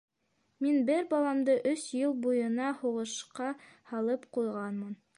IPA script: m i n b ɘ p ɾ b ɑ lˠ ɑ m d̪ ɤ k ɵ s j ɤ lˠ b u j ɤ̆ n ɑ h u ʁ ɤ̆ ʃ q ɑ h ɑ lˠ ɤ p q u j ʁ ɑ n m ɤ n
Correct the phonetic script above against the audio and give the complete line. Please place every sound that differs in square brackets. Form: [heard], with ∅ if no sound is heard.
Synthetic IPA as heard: m i n b ɘ [∅] ɾ b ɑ lˠ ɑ m d̪ ɤ [ʔ] ɵ s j ɤ lˠ b u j ɤ̆ n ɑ h u ʁ ɤ̆ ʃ q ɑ h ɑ lˠ ɤ p q u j ʁ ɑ n m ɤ n